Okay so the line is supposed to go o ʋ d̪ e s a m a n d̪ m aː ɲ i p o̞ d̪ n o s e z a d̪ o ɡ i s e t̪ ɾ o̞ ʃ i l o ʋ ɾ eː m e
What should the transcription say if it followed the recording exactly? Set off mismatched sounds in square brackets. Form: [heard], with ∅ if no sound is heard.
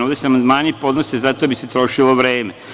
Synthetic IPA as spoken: o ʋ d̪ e s a m a n d̪ m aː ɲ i p o̞ d̪ n o s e z a [t̪] o [b] i s e t̪ ɾ o̞ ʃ i l o ʋ ɾ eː m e